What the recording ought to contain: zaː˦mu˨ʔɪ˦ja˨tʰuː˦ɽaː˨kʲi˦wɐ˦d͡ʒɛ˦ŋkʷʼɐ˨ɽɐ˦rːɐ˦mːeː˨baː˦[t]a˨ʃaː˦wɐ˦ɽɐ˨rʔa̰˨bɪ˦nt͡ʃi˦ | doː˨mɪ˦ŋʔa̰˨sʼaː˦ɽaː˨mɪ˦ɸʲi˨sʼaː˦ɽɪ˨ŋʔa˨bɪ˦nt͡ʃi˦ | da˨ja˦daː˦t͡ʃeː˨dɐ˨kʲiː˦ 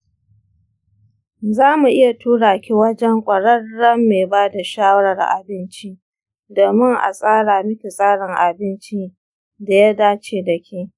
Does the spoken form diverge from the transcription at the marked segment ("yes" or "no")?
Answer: yes